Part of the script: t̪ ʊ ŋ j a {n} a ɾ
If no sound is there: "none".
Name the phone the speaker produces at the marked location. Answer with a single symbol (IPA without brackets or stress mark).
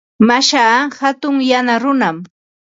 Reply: n